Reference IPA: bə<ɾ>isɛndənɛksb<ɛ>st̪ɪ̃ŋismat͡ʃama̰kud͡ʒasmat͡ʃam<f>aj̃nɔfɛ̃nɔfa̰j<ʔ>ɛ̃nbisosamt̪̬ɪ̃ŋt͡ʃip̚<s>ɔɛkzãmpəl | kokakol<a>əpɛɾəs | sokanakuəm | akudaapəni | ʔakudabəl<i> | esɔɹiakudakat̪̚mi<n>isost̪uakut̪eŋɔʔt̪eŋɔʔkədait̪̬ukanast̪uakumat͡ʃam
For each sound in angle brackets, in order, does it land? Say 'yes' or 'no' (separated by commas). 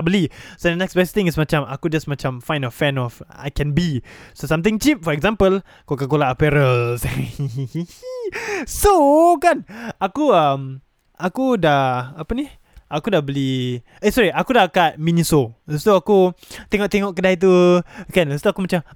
no, yes, yes, no, no, yes, yes, yes